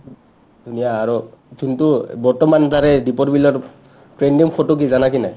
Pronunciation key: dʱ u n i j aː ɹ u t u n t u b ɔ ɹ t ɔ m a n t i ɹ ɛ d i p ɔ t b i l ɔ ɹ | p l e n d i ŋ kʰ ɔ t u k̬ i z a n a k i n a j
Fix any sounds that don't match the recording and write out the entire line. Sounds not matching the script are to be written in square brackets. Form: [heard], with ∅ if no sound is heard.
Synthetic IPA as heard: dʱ u n i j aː ɹ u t u n t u b ɔ ɹ t ɔ m a n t [a] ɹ ɛ d i p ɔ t b i l ɔ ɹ | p [ɹ] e n d i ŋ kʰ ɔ t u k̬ i z a n a k i n a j